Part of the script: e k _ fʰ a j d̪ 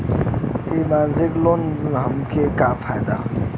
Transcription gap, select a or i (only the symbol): a